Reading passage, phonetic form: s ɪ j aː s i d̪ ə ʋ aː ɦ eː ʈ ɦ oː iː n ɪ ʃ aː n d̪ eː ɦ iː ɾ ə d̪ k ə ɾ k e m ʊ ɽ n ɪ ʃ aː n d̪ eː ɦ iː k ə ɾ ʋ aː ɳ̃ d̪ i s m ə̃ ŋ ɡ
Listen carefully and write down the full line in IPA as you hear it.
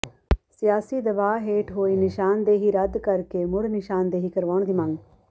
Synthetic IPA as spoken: s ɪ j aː s i d̪ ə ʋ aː ɦ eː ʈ ɦ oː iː n ɪ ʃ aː n d̪ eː ɦ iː ɾ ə d̪ k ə ɾ k e m ʊ ɽ n ɪ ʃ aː n d̪ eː ɦ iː k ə ɾ ʋ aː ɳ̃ d̪ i m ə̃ ŋ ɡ